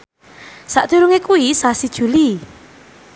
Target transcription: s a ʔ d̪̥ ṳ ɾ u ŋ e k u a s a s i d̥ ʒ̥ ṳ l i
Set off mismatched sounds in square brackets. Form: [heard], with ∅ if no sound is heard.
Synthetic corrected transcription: s a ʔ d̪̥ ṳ ɾ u ŋ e k u [i] s a s i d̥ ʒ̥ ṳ l i